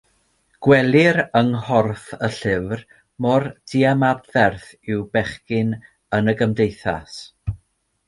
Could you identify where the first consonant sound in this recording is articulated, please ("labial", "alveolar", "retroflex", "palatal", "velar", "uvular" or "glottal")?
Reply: velar